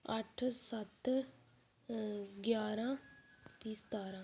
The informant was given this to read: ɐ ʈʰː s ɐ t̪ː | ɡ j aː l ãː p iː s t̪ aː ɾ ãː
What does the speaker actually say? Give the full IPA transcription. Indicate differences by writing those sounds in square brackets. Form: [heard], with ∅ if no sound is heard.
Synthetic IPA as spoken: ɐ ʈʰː s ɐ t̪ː | ɡ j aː [ɾ] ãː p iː s t̪ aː ɾ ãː